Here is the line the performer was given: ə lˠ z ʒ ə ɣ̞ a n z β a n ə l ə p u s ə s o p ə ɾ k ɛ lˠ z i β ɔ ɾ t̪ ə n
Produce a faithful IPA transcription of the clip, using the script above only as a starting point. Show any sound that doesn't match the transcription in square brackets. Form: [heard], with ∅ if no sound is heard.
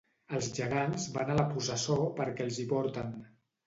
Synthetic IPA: ə lˠ z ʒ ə ɣ̞ a n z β a n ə l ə p u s ə s o p ə ɾ k ɛ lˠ z i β ɔ ɾ t̪ ə n

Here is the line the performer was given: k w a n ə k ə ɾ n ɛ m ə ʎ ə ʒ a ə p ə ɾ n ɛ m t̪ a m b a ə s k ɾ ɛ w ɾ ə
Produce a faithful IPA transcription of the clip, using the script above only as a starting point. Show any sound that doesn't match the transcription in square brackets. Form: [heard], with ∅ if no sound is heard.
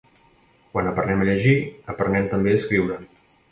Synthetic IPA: k w a n ə [p] ə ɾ n ɛ m ə ʎ ə ʒ [i] ə p ə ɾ n ɛ m t̪ [ə] m b [e] ə s k ɾ [i] w ɾ ə

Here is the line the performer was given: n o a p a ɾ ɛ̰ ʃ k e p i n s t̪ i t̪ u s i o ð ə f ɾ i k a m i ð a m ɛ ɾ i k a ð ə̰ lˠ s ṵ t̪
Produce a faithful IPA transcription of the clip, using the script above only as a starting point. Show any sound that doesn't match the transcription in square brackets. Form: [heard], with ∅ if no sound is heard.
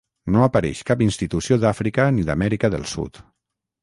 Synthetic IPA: n o a p a ɾ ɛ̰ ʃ k [a] p i n s t̪ i t̪ u s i o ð [a] f ɾ i k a [n] i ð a m ɛ ɾ i k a ð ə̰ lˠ s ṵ t̪

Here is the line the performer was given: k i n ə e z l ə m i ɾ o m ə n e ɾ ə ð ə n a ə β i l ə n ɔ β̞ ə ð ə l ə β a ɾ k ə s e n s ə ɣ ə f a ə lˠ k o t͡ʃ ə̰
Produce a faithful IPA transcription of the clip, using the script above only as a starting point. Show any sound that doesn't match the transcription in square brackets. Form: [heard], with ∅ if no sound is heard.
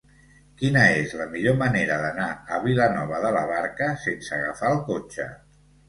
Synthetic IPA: k i n ə e z l ə m i [ʎ] o m ə n e ɾ ə ð ə n a ə β i l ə n ɔ β̞ ə ð ə l ə β a ɾ k ə s e n s ə ɣ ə f a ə lˠ k o t͡ʃ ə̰

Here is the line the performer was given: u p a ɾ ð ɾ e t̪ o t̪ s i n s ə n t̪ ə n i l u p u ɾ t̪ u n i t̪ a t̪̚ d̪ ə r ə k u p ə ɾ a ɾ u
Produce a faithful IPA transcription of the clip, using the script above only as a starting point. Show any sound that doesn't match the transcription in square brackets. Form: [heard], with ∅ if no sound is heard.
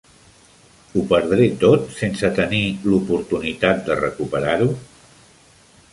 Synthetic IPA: u p [ə] ɾ ð ɾ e t̪ o t̪ s [e] n s ə [∅] t̪ ə n i l u p u ɾ t̪ u n i t̪ a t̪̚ d̪ ə r ə k u p ə ɾ a ɾ u

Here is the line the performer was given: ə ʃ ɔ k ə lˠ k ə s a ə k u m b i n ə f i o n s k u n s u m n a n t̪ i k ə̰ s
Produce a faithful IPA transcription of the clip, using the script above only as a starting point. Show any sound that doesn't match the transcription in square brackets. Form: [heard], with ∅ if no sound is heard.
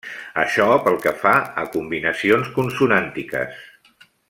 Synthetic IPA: ə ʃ ɔ [p] ə lˠ k ə [f] a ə k u m b i n ə [s] i o n s k u n s u [∅] n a n t̪ i k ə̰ s

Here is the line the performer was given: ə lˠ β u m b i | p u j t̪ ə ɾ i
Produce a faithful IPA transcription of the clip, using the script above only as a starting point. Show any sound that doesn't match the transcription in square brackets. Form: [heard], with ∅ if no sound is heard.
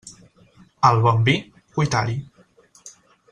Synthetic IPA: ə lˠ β [ɔ] m b i | [k] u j t̪ [a] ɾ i

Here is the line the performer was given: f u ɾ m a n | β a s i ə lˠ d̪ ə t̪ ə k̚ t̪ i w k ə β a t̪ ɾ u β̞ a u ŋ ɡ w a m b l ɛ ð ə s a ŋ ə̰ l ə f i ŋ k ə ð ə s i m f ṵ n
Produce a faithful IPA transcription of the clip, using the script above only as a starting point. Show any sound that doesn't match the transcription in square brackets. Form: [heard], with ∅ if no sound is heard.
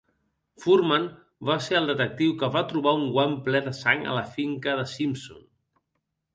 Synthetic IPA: f u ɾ m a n | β a s [e] ə lˠ d̪ ə t̪ ə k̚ t̪ i w k ə β a t̪ ɾ u β̞ a u ŋ ɡ w a m [p] l ɛ ð ə s a ŋ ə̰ l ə f i ŋ k ə ð ə s i m [s] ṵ n

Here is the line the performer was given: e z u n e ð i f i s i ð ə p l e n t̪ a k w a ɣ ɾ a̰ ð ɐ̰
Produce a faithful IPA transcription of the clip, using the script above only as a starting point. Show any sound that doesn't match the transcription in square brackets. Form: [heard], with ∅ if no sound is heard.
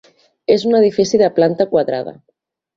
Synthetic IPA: e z u n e ð i f i s i ð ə p l [a] n t̪ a k w a [ð] ɾ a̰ ð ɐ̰

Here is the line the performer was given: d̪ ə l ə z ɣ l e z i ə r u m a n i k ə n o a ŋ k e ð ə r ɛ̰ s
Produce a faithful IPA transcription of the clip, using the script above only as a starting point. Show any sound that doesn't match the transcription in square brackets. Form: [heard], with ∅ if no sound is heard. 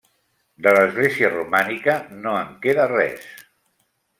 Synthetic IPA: d̪ ə l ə z ɣ l e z i ə r u m a n i k ə n o [ə] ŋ k e ð ə r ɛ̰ s

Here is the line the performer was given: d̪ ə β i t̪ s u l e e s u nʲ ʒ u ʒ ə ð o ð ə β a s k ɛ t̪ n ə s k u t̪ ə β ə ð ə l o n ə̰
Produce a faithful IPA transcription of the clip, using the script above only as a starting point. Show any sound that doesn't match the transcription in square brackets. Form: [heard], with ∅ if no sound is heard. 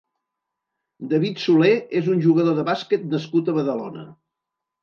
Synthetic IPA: d̪ ə β i t̪ s u l e e [z] u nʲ ʒ u [ɣ] ə ð o ð ə β a s k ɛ t̪ n ə s k u t̪ ə β ə ð ə l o n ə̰

